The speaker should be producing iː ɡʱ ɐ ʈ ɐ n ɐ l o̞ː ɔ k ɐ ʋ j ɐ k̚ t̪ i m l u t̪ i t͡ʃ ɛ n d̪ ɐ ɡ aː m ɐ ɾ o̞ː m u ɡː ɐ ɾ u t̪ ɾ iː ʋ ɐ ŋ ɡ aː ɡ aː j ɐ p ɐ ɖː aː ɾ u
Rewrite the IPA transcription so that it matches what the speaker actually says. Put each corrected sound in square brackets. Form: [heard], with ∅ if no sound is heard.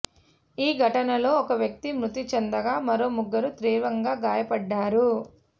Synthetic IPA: iː ɡʱ ɐ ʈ ɐ n ɐ l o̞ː ɔ k ɐ ʋ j ɐ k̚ t̪ i m [ɾ] u t̪ i t͡ʃ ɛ n d̪ ɐ ɡ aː m ɐ ɾ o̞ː m u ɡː ɐ ɾ u t̪ ɾ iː ʋ ɐ ŋ ɡ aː ɡ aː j ɐ p ɐ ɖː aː ɾ u